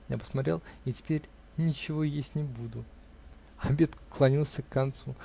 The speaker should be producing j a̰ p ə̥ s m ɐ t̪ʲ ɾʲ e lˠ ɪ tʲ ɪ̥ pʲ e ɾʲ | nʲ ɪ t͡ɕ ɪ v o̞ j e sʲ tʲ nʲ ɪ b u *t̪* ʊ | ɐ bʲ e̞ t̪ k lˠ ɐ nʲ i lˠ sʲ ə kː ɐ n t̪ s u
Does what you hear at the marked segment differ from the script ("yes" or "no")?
yes